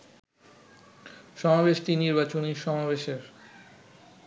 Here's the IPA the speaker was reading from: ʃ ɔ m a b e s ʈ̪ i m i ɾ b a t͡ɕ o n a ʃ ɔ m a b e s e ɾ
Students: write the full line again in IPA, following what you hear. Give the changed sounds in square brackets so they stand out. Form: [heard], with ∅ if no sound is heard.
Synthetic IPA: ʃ ɔ m a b e [ʃ] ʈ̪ i [n] i ɾ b a t͡ɕ o n [i] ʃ ɔ m a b e [ʃ] e ɾ

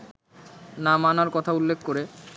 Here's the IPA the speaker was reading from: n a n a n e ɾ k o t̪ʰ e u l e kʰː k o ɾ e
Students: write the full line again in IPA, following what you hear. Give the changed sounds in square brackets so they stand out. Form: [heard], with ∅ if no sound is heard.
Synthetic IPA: n a [m] a n [a] ɾ k [ɔ] t̪ʰ [a] u [lː] e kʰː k o ɾ e

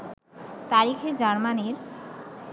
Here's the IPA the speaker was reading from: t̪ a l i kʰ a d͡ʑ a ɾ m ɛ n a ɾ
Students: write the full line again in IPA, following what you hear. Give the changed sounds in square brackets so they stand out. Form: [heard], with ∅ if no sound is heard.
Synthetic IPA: t̪ a [ɾ] i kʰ [e] d͡ʑ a ɾ m [a] n [e] ɾ

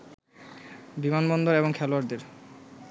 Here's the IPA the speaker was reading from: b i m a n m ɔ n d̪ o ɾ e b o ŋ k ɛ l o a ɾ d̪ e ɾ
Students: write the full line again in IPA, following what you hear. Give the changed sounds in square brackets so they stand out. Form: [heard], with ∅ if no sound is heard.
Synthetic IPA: b i m a n [b] ɔ n d̪ o ɾ e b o ŋ [kʰ] ɛ l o a ɾ d̪ e ɾ

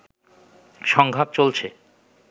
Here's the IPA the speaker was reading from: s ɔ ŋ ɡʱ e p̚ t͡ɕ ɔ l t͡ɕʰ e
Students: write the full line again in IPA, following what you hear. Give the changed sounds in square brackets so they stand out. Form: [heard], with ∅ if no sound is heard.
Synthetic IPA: [ʃ] ɔ ŋ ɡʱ [a] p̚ t͡ɕ [o] l t͡ɕʰ e

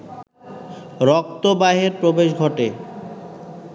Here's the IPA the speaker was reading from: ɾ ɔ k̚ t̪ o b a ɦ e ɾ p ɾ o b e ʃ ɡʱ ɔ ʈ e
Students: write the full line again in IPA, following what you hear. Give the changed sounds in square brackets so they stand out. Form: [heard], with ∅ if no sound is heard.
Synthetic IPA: ɾ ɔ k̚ t̪ o b a ɦ e ɾ p ɾ o b e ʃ ɡʱ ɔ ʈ e

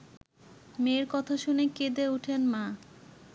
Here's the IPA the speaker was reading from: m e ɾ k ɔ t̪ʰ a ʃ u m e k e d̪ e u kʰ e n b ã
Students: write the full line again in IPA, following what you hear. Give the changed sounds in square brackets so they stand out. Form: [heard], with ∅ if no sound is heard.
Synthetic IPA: m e ɾ k ɔ t̪ʰ a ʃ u [n] e k e d̪ e u [ʈʰ] e n [m] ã

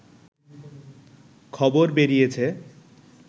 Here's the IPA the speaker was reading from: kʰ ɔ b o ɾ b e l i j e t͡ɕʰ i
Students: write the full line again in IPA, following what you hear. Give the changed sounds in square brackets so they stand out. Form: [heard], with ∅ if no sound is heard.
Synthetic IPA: kʰ ɔ b o ɾ b e [ɾ] i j e t͡ɕʰ [e]

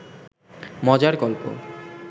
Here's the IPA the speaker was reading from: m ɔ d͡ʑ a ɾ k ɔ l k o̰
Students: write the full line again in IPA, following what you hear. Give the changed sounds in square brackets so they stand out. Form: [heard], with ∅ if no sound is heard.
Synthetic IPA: m ɔ d͡ʑ a ɾ k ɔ l [p] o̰

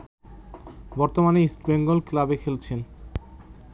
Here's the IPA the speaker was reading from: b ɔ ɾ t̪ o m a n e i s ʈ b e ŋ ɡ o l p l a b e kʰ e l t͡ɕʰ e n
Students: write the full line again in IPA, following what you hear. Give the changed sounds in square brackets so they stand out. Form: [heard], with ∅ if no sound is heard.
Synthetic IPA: b ɔ ɾ t̪ o m a n e i s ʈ b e ŋ ɡ o l [k] l a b e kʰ e l t͡ɕʰ e n

